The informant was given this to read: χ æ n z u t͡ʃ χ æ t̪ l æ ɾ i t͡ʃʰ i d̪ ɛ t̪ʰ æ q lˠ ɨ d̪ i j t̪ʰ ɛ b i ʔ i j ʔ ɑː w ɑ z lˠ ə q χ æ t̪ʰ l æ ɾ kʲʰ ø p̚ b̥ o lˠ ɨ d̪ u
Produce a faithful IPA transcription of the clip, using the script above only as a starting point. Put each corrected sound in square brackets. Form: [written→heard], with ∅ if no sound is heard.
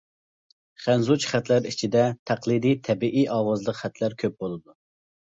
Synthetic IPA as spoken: χ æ n z u t͡ʃ χ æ t̪ l æ ɾ i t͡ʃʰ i d̪ ɛ t̪ʰ æ q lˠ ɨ d̪ i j t̪ʰ ɛ b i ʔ i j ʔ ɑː w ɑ z lˠ ə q χ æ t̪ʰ l æ ɾ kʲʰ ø p̚ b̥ o lˠ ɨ d̪ u